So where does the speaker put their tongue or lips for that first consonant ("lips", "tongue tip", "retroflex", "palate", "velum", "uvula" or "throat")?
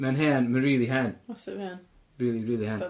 lips